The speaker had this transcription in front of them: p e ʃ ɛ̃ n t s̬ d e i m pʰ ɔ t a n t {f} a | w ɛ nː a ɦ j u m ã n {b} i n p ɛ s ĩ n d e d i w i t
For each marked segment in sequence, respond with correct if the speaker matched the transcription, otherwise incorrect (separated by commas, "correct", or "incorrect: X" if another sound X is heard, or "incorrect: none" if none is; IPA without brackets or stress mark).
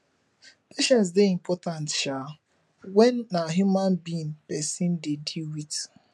incorrect: ʃ, correct